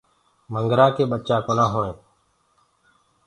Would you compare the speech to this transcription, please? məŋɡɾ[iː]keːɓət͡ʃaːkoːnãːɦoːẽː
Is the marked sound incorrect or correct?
incorrect